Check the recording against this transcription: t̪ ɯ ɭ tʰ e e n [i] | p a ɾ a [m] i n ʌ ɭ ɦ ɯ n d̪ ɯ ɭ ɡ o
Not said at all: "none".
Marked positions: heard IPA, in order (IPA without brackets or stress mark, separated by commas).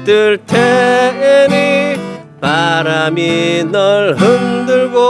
i, m